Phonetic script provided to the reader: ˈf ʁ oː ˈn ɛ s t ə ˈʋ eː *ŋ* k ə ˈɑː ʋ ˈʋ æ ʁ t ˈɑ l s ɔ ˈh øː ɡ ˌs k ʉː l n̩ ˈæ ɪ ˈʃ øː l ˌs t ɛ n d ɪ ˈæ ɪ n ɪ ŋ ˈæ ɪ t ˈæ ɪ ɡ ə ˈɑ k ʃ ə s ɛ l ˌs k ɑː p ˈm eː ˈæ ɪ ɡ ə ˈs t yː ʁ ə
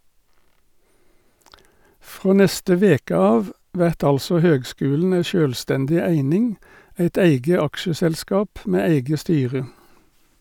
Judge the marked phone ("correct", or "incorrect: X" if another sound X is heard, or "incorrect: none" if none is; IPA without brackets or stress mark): incorrect: none